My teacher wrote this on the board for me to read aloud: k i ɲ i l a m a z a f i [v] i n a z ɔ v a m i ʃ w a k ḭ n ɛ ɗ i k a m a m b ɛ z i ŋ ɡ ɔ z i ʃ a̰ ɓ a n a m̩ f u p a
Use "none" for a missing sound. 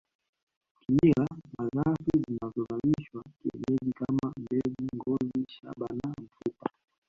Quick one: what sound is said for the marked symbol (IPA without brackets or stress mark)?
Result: z